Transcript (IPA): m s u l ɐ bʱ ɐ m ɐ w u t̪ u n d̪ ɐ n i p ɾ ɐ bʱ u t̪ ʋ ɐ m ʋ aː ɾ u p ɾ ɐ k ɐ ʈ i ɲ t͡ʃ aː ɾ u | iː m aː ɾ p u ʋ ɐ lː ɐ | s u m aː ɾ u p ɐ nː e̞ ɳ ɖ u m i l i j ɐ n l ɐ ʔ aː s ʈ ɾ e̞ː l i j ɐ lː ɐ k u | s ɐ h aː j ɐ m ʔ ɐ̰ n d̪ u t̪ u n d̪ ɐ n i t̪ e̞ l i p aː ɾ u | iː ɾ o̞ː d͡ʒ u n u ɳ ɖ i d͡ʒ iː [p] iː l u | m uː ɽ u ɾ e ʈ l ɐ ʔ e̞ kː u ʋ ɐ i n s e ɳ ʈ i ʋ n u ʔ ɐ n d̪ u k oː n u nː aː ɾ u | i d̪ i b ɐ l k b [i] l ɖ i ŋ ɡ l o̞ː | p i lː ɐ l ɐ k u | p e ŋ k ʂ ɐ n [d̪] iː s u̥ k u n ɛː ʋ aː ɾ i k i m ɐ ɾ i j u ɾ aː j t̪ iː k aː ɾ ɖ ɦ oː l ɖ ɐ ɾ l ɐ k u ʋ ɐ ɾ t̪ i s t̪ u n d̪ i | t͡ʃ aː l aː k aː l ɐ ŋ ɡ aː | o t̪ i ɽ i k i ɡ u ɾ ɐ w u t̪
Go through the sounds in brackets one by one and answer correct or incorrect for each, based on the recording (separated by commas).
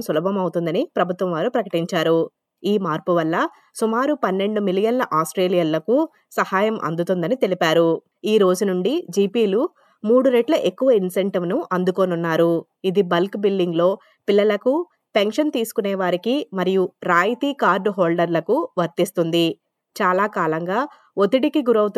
correct, correct, incorrect